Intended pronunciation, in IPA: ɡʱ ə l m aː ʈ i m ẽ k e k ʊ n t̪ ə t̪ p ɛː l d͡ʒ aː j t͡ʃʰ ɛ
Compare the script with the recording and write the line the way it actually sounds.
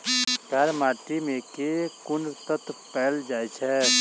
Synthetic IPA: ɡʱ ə ɾ m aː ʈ i m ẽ k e k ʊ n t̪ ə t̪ p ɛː l d͡ʒ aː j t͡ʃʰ ɛ